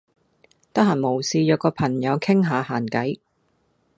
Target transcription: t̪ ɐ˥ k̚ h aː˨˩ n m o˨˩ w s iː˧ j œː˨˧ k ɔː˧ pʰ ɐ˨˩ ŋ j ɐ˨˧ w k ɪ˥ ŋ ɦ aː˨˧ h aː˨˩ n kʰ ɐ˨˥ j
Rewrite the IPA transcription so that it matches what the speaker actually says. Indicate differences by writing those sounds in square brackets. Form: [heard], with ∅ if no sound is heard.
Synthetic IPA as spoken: t̪ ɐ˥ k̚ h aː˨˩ n m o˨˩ w s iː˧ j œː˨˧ k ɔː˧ pʰ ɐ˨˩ ŋ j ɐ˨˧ w [kʰ] ɪ˥ ŋ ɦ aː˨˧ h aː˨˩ n [k] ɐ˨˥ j

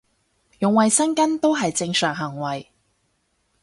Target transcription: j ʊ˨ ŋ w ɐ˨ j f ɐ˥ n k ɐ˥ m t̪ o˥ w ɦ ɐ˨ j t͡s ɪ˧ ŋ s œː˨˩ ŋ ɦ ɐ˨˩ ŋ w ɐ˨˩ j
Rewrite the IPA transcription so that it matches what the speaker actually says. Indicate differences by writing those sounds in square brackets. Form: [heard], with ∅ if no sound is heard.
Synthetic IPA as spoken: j ʊ˨ ŋ w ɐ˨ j [s] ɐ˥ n k ɐ˥ [n] t̪ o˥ w ɦ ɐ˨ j t͡s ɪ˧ ŋ s œː˨˩ ŋ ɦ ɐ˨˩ ŋ w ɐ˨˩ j

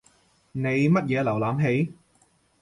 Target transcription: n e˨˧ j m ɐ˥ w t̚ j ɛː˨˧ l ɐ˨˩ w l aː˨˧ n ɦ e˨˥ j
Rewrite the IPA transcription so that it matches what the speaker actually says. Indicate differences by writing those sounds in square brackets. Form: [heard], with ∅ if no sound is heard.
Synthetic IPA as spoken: n e˨˧ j m ɐ˥ [∅] t̚ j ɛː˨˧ l ɐ˨˩ w l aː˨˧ [m] ɦ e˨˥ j

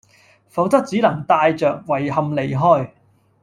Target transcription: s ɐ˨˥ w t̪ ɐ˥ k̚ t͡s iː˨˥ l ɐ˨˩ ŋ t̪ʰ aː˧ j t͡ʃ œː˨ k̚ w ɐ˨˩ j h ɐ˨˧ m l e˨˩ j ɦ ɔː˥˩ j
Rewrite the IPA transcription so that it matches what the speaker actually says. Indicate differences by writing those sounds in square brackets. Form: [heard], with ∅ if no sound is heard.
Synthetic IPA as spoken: [f] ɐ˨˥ w t̪ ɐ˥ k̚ t͡s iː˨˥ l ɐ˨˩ ŋ [t̪] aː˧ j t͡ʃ œː˨ k̚ w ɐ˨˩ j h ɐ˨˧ m l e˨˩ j ɦ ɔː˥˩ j

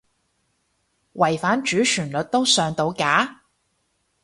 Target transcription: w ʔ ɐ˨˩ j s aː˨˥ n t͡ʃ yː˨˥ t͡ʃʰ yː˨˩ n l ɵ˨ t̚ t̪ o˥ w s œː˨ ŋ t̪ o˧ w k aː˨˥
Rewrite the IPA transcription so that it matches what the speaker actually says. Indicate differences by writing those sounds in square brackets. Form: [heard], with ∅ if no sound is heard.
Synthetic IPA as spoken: w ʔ ɐ˨˩ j [f] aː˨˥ n t͡ʃ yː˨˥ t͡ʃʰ yː˨˩ n l ɵ˨ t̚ t̪ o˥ w s œː˨ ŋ t̪ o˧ w k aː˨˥

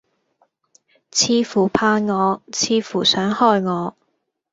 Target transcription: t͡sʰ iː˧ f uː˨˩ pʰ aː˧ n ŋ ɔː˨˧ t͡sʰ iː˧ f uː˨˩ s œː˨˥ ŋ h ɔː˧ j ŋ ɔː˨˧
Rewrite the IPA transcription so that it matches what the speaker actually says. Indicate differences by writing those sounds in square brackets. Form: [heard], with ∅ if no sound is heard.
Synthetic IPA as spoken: t͡sʰ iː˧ f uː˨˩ pʰ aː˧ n ŋ ɔː˨˧ t͡sʰ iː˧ f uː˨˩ s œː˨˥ ŋ h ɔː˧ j ŋ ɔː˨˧

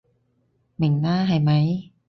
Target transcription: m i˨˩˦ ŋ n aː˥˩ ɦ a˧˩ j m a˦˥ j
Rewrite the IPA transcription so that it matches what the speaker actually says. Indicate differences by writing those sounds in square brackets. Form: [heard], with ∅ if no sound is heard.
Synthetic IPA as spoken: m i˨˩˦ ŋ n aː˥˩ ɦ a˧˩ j m a˦˥ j

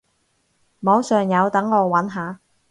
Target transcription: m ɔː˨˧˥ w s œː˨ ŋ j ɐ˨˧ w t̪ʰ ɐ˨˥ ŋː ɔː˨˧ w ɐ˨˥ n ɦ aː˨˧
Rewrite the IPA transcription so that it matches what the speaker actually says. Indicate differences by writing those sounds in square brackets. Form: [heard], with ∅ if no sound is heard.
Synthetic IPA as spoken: m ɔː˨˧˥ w s œː˨ ŋ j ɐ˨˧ w [t̪] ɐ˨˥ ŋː ɔː˨˧ w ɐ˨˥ n ɦ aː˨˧

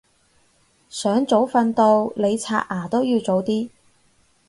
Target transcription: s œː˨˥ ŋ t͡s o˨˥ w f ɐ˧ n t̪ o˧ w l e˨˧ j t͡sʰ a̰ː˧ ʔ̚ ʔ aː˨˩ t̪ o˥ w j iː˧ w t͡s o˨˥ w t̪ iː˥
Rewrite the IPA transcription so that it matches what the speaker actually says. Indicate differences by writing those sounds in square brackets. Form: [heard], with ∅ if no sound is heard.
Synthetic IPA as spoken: s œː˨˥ ŋ t͡s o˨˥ w f ɐ˧ n t̪ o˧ w l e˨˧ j t͡sʰ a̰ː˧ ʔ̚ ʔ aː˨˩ t̪ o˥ w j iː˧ w t͡s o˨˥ w t̪ iː˥

